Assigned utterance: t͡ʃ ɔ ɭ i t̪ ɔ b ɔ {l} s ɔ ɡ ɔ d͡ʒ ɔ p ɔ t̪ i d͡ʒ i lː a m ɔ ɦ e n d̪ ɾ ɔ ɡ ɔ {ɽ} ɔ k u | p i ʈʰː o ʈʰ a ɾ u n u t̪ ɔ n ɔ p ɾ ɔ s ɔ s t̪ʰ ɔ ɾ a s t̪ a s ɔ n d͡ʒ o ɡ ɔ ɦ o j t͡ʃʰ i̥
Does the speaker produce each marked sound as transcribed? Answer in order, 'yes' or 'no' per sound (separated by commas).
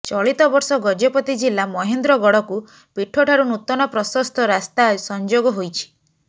no, yes